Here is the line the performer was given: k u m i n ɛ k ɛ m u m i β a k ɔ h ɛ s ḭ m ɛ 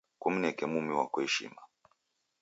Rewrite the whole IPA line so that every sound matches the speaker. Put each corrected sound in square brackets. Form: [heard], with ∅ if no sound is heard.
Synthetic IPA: k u m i n ɛ k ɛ m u m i [w] a k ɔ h ɛ [ʃ] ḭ m [a]